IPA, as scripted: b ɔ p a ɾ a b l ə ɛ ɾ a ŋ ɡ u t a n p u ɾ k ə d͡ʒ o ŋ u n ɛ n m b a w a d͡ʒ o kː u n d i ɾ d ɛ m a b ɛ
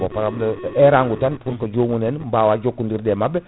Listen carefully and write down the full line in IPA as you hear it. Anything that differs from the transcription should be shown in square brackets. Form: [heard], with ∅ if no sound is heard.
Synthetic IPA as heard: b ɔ p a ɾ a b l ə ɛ ɾ a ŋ ɡ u t a n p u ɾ k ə d͡ʒ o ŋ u n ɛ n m b a w a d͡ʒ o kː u n d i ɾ d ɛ m a b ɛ